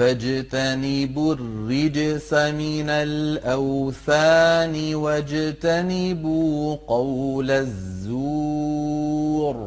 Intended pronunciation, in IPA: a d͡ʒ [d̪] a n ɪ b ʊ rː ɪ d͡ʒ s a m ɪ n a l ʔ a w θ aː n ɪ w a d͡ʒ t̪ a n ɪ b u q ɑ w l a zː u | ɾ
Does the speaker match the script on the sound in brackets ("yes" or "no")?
no